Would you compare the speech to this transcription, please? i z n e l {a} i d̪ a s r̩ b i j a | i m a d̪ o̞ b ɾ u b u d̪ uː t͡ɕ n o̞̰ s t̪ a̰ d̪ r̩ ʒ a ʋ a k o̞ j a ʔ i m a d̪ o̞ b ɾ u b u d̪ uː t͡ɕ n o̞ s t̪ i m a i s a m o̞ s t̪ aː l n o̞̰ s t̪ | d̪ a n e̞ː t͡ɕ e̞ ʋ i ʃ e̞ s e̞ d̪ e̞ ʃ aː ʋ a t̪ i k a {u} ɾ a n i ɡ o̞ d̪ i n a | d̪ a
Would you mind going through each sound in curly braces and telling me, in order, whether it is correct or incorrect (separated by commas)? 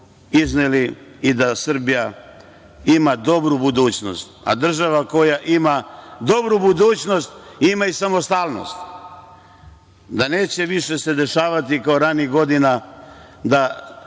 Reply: incorrect, incorrect